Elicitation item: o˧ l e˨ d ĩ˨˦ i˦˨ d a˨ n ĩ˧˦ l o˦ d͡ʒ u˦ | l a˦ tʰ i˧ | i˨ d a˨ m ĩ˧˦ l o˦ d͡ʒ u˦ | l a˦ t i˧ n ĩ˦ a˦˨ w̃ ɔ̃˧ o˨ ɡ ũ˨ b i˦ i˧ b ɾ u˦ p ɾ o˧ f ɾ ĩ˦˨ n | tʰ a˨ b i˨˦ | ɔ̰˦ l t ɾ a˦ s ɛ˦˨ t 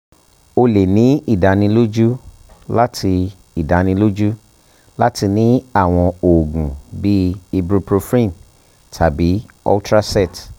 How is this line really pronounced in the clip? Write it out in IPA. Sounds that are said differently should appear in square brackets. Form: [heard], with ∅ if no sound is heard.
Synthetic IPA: o˧ l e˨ [n] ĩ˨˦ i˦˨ d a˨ n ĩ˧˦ l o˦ d͡ʒ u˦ | l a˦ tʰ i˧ | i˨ d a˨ [n] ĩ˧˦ l o˦ d͡ʒ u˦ | l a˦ t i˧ n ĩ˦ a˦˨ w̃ ɔ̃˧ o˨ ɡ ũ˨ b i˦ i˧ b ɾ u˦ p ɾ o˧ f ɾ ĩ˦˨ n | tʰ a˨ b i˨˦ | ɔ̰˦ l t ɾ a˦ s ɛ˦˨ t